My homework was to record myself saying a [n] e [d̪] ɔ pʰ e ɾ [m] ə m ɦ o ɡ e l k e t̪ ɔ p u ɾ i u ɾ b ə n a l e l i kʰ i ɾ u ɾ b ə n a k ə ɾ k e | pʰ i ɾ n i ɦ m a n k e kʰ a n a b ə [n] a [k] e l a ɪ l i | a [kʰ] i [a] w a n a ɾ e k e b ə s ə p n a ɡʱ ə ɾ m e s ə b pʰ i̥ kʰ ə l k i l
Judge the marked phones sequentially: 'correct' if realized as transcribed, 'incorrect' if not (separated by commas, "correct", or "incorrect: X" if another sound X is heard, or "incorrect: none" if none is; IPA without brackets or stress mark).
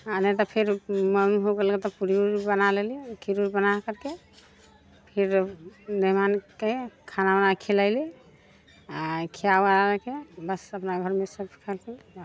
correct, incorrect: t̪, correct, correct, incorrect: kʰ, correct, correct